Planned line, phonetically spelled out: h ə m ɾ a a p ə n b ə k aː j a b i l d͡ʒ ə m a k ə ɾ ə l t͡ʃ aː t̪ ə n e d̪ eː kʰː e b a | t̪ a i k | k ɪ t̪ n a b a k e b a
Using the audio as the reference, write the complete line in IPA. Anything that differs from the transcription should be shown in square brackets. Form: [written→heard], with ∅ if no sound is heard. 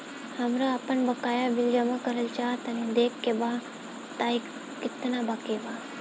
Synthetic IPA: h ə m ɾ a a p ə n b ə k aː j a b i l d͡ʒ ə m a k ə ɾ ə l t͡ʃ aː t̪ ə n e d̪ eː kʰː e b a | t̪ a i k | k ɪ t̪ n a b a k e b a